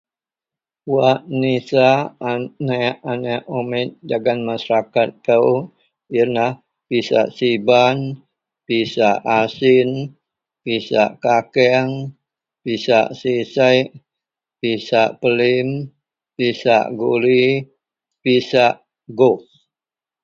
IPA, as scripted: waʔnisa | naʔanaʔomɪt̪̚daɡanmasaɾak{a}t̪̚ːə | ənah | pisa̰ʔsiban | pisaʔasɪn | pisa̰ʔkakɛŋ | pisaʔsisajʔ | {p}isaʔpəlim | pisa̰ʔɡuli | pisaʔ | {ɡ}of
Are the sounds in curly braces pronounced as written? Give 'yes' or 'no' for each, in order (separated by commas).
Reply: yes, yes, yes